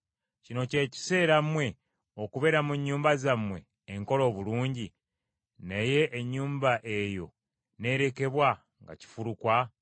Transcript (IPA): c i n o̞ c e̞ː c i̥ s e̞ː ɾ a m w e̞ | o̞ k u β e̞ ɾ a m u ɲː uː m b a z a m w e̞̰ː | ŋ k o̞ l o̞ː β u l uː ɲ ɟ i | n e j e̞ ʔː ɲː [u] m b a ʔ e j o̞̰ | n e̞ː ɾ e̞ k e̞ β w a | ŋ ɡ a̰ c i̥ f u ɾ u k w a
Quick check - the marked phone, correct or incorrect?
incorrect